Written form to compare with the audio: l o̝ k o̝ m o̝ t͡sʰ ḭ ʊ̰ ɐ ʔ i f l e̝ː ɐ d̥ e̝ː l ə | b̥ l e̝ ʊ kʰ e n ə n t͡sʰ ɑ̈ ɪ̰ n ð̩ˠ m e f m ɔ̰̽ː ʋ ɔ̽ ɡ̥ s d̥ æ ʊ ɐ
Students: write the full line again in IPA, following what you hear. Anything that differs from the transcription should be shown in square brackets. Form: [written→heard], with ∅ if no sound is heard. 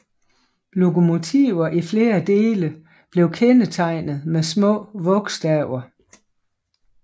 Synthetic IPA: l o̝ k o̝ m o̝ t͡sʰ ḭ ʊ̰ ɐ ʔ i f l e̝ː ɐ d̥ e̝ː l ə | b̥ l e̝ ʊ kʰ e n ə [n→∅] t͡sʰ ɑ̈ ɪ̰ n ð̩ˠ m e [f→s] m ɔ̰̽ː ʋ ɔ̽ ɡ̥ s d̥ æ ʊ ɐ

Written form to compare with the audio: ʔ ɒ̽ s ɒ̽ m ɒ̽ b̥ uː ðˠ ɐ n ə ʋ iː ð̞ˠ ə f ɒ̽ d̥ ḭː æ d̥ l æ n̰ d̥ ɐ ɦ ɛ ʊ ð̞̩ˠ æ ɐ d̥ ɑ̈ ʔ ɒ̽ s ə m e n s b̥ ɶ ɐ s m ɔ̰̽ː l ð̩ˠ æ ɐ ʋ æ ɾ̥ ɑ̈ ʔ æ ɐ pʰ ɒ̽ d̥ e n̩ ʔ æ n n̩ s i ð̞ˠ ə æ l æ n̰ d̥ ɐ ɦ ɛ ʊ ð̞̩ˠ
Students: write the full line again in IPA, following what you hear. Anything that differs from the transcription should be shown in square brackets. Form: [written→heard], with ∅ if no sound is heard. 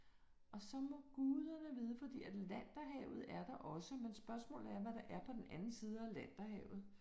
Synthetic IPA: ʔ ɒ̽ s ɒ̽ m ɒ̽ [b̥→ɡ̥] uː ðˠ ɐ n ə ʋ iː ð̞ˠ ə f ɒ̽ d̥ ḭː æ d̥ l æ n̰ d̥ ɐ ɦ ɛ ʊ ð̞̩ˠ æ ɐ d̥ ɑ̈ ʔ ɒ̽ s ə m e n s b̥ ɶ ɐ s m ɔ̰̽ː l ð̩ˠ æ ɐ ʋ æ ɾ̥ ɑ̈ ʔ æ ɐ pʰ ɒ̽ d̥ e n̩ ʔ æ n n̩ s [i→iː] ð̞ˠ ə æ l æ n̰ d̥ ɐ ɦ ɛ ʊ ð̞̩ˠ

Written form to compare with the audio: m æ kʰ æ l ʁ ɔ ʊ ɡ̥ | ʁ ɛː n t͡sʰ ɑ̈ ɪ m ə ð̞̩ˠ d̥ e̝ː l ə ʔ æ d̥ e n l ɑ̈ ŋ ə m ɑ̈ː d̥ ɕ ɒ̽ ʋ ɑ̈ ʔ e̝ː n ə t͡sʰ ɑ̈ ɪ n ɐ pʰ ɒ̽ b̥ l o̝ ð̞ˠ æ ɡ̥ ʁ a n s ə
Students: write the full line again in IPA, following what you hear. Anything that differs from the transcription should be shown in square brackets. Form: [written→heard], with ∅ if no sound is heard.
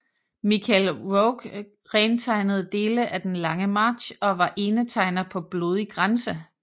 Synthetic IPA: m [æ→i] kʰ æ l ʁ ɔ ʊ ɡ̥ | ʁ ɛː n t͡sʰ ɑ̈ ɪ [m→n] ə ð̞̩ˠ d̥ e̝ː l ə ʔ æ d̥ e n l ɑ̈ ŋ ə m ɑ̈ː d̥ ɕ ɒ̽ ʋ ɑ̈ ʔ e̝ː n ə t͡sʰ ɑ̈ ɪ n ɐ pʰ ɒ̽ b̥ l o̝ ð̞ˠ [æ→i] ɡ̥ ʁ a n s ə

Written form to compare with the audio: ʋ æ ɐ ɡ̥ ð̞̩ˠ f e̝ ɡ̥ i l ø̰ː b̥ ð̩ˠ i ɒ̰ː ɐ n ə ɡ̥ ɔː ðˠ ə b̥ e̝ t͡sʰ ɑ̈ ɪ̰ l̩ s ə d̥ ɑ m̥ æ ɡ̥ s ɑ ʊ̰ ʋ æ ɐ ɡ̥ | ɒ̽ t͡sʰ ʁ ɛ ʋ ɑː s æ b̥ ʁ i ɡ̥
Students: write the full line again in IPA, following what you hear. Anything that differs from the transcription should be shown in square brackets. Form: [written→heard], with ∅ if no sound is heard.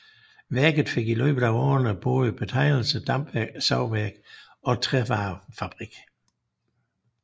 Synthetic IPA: ʋ æ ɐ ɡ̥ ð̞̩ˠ f e̝ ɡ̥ i l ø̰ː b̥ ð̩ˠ [i→æ] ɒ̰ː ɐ n ə [ɡ̥→b̥] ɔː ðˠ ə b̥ e̝ t͡sʰ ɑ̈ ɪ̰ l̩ s ə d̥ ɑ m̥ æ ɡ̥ s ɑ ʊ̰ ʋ æ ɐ ɡ̥ | ɒ̽ t͡sʰ ʁ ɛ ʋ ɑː [s→f] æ b̥ ʁ i ɡ̥

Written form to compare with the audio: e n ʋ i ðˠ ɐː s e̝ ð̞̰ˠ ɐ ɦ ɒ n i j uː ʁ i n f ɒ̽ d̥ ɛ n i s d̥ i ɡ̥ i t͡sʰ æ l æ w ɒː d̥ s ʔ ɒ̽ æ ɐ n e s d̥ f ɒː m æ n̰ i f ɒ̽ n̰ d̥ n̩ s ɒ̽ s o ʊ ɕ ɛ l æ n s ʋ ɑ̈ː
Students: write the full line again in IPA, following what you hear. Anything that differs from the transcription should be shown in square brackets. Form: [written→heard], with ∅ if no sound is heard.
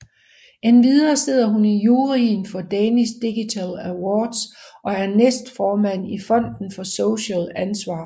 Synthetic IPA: e n ʋ i ðˠ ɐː s e̝ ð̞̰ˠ ɐ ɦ [ɒ→u] n i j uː ʁ i n f ɒ̽ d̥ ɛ n i s d̥ i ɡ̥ i t͡sʰ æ l æ w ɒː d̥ s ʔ ɒ̽ æ ɐ n e s d̥ f ɒː m æ n̰ i f ɒ̽ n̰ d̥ n̩ [s→f] ɒ̽ s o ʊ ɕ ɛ l æ n s ʋ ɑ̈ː

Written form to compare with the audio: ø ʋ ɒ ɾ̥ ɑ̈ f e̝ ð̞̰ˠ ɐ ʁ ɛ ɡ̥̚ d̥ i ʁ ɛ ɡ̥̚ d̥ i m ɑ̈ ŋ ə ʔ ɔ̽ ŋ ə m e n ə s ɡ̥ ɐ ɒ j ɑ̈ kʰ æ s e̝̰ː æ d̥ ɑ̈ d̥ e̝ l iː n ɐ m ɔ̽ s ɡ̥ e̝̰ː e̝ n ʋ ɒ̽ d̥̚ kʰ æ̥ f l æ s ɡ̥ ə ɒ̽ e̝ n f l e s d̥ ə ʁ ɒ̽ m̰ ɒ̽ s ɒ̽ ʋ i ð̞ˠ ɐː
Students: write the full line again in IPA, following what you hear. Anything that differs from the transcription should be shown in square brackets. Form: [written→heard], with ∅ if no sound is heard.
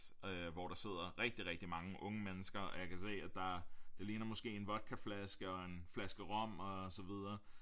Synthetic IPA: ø ʋ ɒ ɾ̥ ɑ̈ [f→s] e̝ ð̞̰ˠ ɐ ʁ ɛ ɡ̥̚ d̥ i ʁ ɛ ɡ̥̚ d̥ i m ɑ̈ ŋ ə ʔ ɔ̽ ŋ ə m e n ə s ɡ̥ ɐ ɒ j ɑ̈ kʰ æ s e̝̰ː æ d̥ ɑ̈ d̥ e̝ l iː n ɐ m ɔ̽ s ɡ̥ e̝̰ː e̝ n ʋ ɒ̽ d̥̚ kʰ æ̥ f l æ s ɡ̥ ə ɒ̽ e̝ n f l [e→æ] s [d̥→ɡ̥] ə ʁ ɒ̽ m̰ ɒ̽ s ɒ̽ ʋ i ð̞ˠ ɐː

